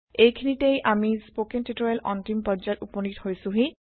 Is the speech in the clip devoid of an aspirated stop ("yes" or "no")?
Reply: no